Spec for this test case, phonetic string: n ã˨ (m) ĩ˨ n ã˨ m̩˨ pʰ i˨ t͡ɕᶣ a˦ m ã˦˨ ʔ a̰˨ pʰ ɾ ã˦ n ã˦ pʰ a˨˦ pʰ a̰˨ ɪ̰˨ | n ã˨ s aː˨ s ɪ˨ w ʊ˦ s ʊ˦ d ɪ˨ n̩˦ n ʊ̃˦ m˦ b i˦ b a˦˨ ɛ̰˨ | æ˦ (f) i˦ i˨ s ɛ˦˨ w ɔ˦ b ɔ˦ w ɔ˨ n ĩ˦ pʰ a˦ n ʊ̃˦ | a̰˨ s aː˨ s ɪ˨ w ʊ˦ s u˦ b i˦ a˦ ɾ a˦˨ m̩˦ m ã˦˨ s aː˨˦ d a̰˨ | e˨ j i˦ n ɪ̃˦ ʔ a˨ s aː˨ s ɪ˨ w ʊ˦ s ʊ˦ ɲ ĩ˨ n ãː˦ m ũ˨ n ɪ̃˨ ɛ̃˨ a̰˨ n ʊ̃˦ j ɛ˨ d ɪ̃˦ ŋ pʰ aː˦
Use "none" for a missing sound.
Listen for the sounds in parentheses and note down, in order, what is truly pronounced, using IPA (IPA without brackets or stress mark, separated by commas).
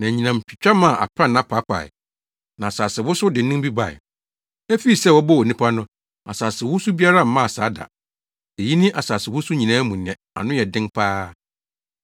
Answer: ɲ, f